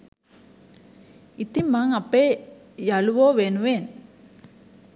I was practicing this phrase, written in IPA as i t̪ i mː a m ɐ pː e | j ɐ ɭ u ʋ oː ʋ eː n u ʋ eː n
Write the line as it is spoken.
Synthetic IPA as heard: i t̪ i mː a ŋ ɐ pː e | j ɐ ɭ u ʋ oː ʋ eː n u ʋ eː n